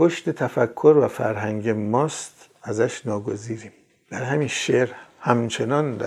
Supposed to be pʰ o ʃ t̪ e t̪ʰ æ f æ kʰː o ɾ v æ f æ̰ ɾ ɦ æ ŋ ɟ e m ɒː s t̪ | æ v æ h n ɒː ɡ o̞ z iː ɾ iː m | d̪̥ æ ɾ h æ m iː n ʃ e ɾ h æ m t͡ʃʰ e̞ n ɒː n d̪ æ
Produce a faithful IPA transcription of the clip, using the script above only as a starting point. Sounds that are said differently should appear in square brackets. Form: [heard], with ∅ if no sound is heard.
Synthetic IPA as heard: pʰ o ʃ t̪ e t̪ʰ æ f æ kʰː o ɾ v æ f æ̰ ɾ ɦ æ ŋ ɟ e m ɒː s t̪ | æ [z] æ [ʃ] n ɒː ɡ o̞ z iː ɾ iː m | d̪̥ æ ɾ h æ m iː n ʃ e ɾ h æ m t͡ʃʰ e̞ n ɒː n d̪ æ